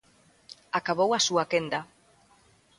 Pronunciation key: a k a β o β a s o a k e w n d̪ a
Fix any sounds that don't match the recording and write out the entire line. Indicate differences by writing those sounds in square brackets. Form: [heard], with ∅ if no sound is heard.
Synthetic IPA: a k a β o [w] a s [u] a k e [∅] n d̪ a